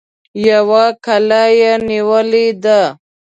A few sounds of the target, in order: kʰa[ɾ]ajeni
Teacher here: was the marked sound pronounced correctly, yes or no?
no